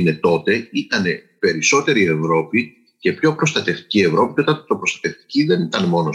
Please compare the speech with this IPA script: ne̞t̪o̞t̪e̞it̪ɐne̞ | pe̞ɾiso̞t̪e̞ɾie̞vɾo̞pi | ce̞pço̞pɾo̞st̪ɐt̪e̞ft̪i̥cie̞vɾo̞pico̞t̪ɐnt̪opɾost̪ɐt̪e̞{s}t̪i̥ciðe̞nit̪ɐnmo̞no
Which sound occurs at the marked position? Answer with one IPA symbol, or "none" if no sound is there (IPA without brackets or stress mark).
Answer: f